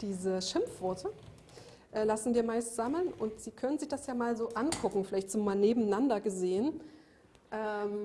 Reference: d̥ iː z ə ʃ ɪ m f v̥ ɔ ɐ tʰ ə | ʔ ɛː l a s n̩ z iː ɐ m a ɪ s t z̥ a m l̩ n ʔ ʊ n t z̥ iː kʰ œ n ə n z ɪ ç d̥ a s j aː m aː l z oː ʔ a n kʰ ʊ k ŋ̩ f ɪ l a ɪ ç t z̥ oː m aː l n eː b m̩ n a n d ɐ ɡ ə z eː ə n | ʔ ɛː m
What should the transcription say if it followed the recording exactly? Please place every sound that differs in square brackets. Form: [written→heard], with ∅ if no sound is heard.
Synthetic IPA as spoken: d̥ iː z ə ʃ ɪ m f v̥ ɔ ɐ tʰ ə | ʔ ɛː l a s n̩ [z→v] iː ɐ m a ɪ s t z̥ a m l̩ n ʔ ʊ n t z̥ iː kʰ œ n ə n z ɪ ç d̥ a s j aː m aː l z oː ʔ a n kʰ ʊ k ŋ̩ f ɪ l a ɪ ç t z̥ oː m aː l n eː b m̩ n a n d ɐ ɡ ə z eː ə n | ʔ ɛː m

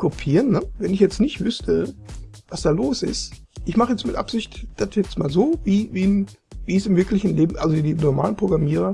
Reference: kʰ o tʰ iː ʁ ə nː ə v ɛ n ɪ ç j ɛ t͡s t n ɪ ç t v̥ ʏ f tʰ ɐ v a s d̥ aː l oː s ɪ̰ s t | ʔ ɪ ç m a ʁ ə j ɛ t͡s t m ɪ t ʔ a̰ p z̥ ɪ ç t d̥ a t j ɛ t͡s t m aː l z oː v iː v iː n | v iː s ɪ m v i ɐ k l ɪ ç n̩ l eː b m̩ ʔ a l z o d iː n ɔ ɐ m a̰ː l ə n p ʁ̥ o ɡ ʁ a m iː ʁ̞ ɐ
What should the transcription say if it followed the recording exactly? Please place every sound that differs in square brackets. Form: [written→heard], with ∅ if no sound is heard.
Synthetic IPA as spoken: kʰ o [tʰ→pʰ] iː ʁ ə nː ə v ɛ n ɪ ç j ɛ t͡s t n ɪ ç t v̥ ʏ [f→s] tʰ [ɐ→ə] v a s d̥ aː l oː s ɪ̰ s t | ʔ ɪ ç m a [ʁ→χ] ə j ɛ t͡s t m ɪ t ʔ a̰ p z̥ ɪ ç t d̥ a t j ɛ t͡s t m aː l z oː v iː v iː n | v iː s ɪ m v [i→ɪ] ɐ k l ɪ ç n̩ l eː b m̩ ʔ a l z o d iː n ɔ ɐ m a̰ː l ə n p ʁ̥ o ɡ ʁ a m iː ʁ̞ ɐ

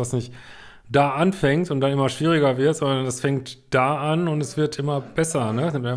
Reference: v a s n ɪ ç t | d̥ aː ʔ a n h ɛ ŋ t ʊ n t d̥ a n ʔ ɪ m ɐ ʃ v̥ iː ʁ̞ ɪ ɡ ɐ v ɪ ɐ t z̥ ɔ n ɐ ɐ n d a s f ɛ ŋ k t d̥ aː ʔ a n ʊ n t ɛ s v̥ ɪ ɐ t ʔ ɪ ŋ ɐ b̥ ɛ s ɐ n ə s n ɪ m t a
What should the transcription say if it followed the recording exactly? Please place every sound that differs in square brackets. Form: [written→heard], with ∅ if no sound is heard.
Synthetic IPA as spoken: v a s n ɪ ç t | d̥ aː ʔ a n [h→f] ɛ ŋ t ʊ n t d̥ a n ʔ ɪ m ɐ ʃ v̥ iː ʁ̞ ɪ ɡ ɐ v ɪ ɐ t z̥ ɔ n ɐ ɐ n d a s f ɛ ŋ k t d̥ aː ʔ a n ʊ n t ɛ s v̥ ɪ ɐ t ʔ ɪ [ŋ→m] ɐ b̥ ɛ s ɐ n ə s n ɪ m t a

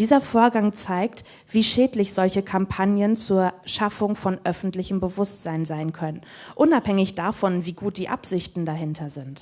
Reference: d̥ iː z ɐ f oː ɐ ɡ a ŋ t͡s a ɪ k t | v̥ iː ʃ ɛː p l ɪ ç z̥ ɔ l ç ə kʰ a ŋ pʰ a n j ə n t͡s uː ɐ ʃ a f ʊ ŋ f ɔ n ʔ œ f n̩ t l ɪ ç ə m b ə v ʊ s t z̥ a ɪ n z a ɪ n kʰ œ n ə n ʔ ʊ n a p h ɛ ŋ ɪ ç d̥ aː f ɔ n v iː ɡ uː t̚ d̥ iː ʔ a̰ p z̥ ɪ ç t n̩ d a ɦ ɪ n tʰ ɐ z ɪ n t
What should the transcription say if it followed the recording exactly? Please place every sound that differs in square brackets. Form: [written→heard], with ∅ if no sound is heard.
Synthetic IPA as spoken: d̥ iː z ɐ f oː ɐ ɡ a ŋ t͡s a ɪ k t | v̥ iː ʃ ɛː [p→t] l ɪ ç z̥ ɔ l ç ə kʰ a [ŋ→m] pʰ a n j ə n t͡s uː ɐ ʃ a f ʊ ŋ f ɔ n ʔ œ f n̩ t l ɪ ç ə m b ə v ʊ s t z̥ a ɪ n z a ɪ n kʰ œ n ə n ʔ ʊ n a p h ɛ ŋ ɪ ç d̥ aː f ɔ n v iː ɡ uː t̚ d̥ iː ʔ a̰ p z̥ ɪ ç t n̩ d a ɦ ɪ n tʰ ɐ z ɪ n t

